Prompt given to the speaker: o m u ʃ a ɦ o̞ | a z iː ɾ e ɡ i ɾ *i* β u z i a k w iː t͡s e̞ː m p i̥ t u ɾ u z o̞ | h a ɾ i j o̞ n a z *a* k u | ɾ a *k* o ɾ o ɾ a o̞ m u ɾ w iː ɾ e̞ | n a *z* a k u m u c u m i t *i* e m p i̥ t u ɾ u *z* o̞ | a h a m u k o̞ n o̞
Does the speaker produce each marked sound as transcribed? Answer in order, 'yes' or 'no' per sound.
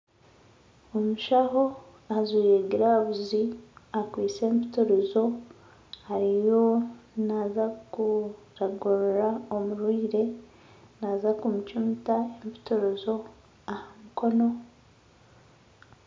no, yes, no, yes, no, yes

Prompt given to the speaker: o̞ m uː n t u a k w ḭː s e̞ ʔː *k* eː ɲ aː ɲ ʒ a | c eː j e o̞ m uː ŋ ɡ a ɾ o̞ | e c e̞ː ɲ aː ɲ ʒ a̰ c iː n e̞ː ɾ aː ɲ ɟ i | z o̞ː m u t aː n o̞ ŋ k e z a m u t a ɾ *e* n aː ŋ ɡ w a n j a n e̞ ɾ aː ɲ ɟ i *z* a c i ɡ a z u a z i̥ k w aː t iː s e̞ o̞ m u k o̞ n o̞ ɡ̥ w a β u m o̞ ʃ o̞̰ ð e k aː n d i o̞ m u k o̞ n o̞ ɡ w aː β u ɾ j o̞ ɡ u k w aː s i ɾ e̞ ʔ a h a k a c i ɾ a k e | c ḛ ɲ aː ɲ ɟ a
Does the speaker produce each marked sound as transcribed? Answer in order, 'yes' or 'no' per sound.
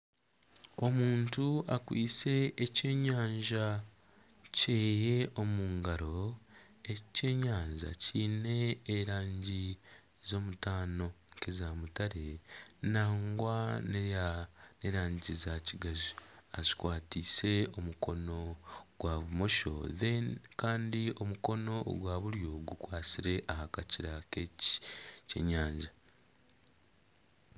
no, yes, yes

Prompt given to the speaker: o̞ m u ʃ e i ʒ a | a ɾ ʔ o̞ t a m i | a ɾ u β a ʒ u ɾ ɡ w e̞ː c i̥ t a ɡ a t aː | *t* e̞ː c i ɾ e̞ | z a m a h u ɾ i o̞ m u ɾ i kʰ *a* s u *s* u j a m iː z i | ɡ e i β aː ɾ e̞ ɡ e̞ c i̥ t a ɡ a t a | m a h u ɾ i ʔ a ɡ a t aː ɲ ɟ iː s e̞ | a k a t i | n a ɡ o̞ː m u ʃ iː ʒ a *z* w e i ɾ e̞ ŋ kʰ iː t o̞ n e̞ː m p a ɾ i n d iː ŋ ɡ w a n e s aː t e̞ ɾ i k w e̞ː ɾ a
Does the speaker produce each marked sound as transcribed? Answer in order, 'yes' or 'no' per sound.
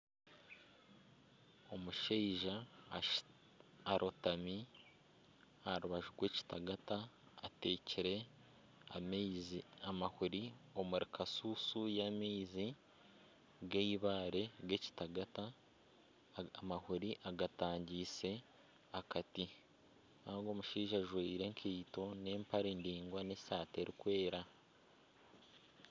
yes, yes, yes, no

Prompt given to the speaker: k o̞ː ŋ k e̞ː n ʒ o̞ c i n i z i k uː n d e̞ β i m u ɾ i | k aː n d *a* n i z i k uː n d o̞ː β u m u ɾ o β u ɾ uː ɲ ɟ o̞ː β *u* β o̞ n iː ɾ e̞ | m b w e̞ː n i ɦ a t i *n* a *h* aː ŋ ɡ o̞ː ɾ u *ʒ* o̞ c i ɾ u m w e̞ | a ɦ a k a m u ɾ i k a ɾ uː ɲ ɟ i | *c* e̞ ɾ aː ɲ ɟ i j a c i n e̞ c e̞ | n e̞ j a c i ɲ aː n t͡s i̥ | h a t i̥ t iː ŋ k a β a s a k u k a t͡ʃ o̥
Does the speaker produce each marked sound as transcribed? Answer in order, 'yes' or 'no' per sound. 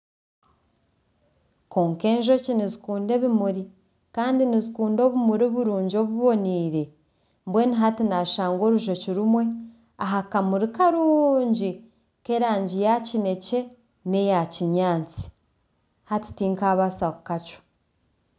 no, yes, yes, no, yes, no

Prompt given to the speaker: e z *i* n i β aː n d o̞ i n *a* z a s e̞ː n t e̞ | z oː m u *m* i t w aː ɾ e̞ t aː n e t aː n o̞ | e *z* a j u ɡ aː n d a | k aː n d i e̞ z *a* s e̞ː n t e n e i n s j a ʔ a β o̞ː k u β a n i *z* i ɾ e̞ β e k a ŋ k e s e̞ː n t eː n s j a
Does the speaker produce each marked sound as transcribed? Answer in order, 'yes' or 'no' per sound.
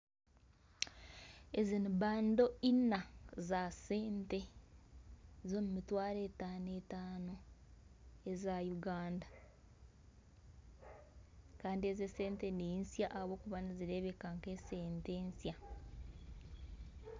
yes, yes, yes, yes, no, yes

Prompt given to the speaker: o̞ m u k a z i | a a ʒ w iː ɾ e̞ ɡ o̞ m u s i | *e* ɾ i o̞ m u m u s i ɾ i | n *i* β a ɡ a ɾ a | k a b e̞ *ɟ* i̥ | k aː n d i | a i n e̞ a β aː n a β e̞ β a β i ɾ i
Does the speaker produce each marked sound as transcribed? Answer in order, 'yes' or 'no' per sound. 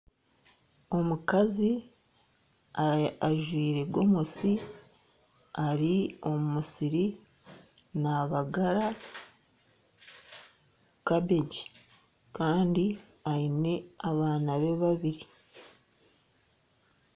no, no, yes

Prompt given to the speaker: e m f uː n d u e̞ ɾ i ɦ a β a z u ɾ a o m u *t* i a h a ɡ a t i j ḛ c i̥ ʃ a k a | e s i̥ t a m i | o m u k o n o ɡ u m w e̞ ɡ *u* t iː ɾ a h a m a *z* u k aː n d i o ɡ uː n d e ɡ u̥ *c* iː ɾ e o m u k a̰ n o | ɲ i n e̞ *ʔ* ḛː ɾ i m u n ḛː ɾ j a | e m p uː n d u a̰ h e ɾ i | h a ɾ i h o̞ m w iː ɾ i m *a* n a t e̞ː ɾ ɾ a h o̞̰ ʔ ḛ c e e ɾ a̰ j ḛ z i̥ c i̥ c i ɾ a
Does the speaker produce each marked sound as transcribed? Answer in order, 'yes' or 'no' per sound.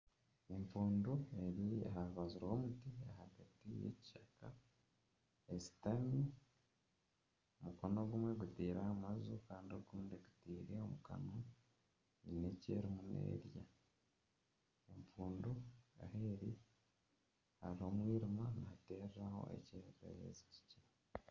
yes, yes, yes, no, no, yes

